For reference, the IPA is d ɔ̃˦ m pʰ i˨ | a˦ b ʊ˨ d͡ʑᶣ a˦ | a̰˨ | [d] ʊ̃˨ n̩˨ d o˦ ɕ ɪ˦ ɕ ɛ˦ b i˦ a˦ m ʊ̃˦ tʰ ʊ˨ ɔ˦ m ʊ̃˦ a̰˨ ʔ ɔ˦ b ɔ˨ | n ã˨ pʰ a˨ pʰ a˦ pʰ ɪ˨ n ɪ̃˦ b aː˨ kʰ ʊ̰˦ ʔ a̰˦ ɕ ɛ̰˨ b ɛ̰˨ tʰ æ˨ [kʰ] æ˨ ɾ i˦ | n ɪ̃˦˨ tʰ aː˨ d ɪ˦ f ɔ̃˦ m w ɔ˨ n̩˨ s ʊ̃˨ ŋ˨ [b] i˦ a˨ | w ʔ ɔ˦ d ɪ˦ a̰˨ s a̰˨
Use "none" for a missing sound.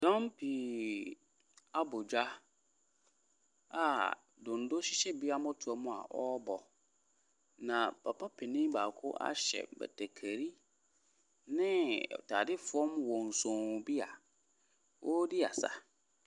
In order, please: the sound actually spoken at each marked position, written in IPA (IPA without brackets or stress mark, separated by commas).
d, kʰ, b